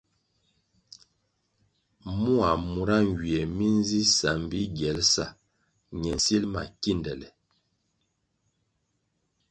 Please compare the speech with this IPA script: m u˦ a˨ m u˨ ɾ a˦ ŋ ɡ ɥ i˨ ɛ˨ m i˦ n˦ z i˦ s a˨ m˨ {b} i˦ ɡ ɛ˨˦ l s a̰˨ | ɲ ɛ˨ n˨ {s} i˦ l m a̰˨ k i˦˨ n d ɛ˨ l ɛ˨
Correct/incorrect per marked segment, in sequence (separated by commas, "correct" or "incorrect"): correct, correct